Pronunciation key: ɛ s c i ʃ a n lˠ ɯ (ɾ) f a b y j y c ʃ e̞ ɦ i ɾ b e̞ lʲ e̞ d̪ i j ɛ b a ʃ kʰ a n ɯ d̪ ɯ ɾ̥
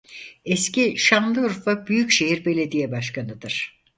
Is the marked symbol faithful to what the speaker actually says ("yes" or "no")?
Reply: yes